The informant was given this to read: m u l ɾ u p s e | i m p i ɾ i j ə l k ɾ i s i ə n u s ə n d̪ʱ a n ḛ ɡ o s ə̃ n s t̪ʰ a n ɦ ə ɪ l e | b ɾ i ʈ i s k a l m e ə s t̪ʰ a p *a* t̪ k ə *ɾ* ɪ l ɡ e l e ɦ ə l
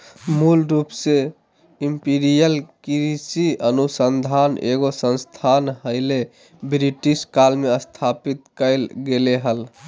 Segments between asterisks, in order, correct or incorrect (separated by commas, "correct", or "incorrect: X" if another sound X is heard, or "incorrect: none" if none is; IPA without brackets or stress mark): incorrect: i, incorrect: none